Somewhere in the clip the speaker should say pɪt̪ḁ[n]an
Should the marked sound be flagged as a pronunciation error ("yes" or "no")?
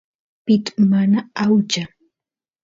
yes